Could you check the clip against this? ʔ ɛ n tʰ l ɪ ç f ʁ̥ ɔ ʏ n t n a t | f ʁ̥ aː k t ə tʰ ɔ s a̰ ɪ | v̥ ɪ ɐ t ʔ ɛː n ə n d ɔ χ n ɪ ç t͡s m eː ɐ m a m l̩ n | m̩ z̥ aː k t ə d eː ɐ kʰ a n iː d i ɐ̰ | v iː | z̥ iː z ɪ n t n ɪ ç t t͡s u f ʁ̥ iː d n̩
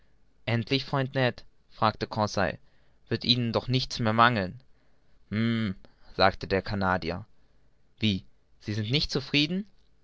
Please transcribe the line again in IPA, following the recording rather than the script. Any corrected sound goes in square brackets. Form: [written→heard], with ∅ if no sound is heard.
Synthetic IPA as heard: ʔ ɛ n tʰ l ɪ ç f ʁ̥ ɔ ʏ n t n [a→ɛ] t | f ʁ̥ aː k t ə [tʰ→kʰ] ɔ s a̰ ɪ | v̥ ɪ ɐ t ʔ [ɛː→iː] n ə n d ɔ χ n ɪ ç t͡s m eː ɐ m a [m→ŋ] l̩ n | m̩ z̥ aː k t ə d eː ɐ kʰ a n [iː→aː] d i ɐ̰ | v iː | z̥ iː z ɪ n t n ɪ ç t t͡s u f ʁ̥ iː d n̩